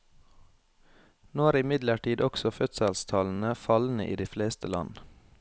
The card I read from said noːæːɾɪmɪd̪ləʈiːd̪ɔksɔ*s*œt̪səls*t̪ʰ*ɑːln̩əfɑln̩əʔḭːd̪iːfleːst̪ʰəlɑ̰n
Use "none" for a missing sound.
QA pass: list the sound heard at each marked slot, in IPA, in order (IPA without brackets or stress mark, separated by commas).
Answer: f, t̪ʰ